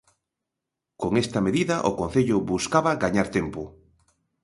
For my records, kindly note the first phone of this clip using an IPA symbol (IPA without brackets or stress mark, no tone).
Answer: k